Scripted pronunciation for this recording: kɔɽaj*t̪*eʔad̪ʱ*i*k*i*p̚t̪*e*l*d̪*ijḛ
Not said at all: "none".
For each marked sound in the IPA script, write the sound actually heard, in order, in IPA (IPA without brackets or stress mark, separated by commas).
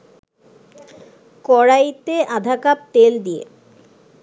t̪, a, a, e, d̪